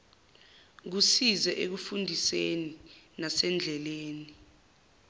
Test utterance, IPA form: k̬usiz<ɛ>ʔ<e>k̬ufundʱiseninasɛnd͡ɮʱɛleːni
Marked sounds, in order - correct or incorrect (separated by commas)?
correct, correct